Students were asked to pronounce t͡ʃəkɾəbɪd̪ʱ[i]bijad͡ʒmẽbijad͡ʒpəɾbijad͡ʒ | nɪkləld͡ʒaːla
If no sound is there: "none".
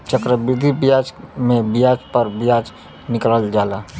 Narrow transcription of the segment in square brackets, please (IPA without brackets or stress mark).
i